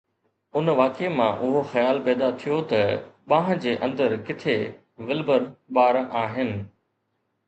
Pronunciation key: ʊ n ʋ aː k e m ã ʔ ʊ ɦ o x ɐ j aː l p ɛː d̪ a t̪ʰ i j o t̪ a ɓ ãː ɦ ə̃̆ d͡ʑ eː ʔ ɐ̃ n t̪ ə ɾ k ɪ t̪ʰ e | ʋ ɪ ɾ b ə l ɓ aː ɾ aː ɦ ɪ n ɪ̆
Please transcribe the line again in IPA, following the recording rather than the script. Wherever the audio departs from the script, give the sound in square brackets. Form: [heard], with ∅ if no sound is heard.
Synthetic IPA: ʊ n ʋ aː k e m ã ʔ ʊ ɦ o x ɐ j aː l p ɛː d̪ a t̪ʰ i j o t̪ [ɐ] ɓ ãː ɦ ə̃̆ d͡ʑ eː ʔ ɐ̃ n [d̪] ə ɾ k ɪ t̪ʰ e | ʋ ɪ [l] b ə [ɾ] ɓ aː ɾ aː ɦ ɪ n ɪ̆